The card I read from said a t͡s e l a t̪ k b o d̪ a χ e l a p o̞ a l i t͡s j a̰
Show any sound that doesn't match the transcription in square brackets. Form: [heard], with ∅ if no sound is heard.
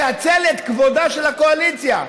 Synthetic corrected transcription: a t͡s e l [e] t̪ k [v] o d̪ a [ʃ] e l a [k] o̞ a l i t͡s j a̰